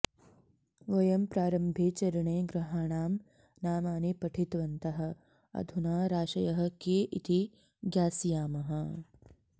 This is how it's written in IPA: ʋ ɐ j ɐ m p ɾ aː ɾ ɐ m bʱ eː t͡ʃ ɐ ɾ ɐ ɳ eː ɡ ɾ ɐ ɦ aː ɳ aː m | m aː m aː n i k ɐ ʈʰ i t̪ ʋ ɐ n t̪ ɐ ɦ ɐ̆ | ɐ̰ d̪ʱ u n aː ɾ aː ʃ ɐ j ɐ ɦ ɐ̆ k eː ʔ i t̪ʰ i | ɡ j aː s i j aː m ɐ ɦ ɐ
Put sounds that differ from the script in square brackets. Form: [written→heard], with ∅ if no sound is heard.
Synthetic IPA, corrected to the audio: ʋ ɐ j ɐ m p ɾ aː ɾ ɐ m bʱ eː t͡ʃ ɐ ɾ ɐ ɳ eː ɡ ɾ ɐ ɦ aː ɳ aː m | [m→n] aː m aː n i [k→p] ɐ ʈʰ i t̪ ʋ ɐ n t̪ ɐ ɦ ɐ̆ | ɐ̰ d̪ʱ u n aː ɾ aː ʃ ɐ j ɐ ɦ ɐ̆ k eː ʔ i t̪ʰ i | ɡ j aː s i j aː m ɐ ɦ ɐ